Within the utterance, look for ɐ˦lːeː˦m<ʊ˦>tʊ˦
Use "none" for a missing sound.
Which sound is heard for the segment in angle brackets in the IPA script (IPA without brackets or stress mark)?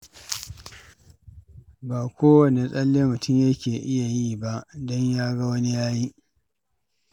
ʊ˨